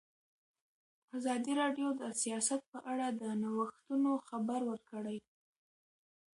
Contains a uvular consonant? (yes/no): no